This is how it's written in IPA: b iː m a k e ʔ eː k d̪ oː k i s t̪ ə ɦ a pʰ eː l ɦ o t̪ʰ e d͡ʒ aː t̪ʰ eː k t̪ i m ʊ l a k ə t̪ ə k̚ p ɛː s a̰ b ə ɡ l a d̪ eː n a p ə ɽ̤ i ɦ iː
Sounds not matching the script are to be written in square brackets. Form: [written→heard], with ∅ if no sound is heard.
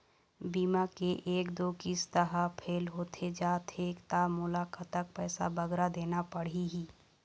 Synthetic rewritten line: b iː m a k e ʔ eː k d̪ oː k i s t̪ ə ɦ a pʰ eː l ɦ o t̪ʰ e d͡ʒ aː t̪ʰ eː k t̪ [i→a] m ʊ l a k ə t̪ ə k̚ p ɛː s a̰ b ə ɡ [l→ɾ] a d̪ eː n a p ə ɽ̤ i ɦ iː